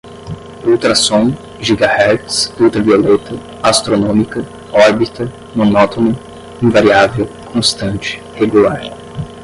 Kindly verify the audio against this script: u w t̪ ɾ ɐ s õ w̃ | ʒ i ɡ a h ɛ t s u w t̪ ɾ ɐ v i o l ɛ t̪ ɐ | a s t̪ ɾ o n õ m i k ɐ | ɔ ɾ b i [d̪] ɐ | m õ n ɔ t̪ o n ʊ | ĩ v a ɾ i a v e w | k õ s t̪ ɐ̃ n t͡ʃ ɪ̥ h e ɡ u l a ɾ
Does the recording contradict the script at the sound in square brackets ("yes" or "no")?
yes